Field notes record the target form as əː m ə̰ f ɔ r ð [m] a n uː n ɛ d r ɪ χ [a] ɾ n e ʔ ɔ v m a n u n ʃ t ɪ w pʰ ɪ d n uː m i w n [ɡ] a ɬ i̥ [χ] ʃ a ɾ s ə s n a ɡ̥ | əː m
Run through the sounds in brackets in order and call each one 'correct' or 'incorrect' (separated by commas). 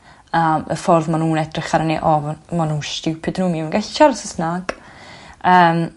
correct, correct, correct, incorrect